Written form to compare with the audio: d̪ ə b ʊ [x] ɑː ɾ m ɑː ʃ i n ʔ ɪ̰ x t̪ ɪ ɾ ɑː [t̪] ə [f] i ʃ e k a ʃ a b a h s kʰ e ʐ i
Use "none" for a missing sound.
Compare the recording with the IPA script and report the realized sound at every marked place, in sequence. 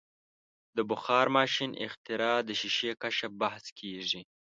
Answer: x, d̪, ʃ

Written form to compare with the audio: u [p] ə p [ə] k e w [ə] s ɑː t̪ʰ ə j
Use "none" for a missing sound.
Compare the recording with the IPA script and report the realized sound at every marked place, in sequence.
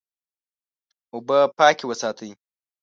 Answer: b, ɑ, ə

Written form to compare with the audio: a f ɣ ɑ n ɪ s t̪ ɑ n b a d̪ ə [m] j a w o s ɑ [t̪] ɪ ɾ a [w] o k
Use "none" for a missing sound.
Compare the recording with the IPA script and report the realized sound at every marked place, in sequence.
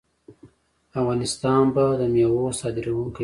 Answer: m, d̪, w

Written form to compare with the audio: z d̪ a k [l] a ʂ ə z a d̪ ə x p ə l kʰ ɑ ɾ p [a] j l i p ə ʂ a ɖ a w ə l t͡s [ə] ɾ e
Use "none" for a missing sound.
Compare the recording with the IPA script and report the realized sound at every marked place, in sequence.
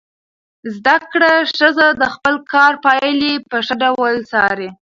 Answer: ɽ, ɑ, ɑ

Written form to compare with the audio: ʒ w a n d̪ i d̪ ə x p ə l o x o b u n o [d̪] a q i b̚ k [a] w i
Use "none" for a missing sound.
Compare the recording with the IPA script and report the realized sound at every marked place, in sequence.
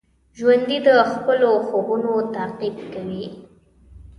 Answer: t̪, a

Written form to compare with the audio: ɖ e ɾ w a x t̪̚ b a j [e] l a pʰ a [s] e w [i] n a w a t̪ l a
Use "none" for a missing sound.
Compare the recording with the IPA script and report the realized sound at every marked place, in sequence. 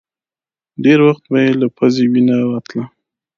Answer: e, z, i

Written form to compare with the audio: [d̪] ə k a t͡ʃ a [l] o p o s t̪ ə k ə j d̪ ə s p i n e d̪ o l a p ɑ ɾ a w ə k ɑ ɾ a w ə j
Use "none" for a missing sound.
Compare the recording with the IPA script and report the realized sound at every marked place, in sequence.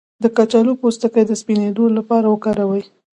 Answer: d̪, l

